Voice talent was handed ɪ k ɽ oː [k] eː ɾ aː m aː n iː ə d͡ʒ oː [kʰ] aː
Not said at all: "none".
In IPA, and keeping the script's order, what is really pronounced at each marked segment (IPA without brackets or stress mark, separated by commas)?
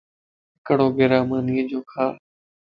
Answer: ɡ, kʰ